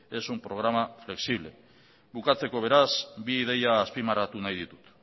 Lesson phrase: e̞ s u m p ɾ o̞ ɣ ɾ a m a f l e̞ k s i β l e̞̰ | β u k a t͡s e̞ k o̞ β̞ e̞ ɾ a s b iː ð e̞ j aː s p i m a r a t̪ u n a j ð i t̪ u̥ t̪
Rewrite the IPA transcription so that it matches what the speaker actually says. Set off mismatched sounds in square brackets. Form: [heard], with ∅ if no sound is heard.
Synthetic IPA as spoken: e̞ s u m p ɾ o̞ ɣ ɾ a m a f l e̞ k s i β l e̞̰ | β u k a t͡s e̞ k o̞ β̞ e̞ ɾ a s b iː ð e̞ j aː s p i m a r a t̪ u n a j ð i t̪ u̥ t̪